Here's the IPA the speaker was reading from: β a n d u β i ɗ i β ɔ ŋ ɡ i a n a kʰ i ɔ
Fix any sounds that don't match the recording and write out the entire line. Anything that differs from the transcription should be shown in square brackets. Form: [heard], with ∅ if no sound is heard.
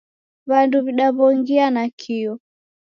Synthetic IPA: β a n d u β i ɗ [a] β ɔ ŋ ɡ i a n a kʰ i ɔ